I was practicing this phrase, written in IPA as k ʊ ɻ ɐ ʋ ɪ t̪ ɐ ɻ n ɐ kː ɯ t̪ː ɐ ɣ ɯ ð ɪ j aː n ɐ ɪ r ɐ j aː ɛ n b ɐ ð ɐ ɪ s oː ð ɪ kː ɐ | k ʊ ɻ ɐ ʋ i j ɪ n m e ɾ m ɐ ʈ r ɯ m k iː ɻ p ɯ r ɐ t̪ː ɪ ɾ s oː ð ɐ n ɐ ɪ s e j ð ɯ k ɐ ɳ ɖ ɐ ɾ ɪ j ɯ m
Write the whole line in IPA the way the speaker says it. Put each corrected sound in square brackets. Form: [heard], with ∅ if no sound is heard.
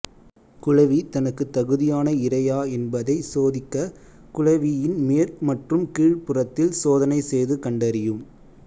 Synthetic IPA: k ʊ ɻ ɐ ʋ [i] t̪ ɐ [∅] n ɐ kː ɯ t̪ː ɐ ɣ ɯ ð ɪ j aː n ɐ ɪ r ɐ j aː ɛ n b ɐ ð ɐ ɪ s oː ð ɪ kː ɐ | k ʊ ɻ ɐ ʋ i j ɪ n m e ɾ m ɐ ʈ r ɯ m k iː ɻ p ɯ r ɐ t̪ː ɪ [l] s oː ð ɐ n ɐ ɪ s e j ð ɯ k ɐ ɳ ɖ ɐ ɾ ɪ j ɯ m